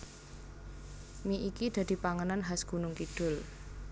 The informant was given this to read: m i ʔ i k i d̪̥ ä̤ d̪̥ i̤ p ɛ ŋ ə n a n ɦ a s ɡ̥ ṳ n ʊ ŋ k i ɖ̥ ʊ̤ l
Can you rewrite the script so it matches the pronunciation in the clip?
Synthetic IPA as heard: m i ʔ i k i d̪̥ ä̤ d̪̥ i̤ p a ŋ ə n a n ɦ a s ɡ̥ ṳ n ʊ ŋ k i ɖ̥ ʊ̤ l